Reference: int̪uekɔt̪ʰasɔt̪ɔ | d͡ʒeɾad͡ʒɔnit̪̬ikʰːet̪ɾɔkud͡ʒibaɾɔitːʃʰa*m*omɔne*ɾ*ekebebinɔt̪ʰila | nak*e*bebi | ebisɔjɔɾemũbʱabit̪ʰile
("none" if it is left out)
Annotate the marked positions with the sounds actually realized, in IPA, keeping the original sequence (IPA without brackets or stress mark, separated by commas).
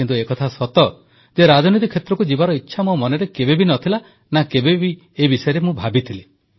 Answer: m, ɾ, e